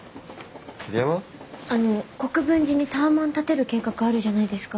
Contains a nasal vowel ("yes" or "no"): yes